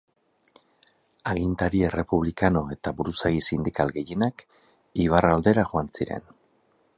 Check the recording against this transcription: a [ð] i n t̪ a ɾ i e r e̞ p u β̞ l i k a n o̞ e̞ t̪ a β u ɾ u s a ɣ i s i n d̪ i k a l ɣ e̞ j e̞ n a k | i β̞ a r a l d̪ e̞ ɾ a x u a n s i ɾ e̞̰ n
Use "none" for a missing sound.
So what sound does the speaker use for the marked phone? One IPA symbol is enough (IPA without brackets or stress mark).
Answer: ɣ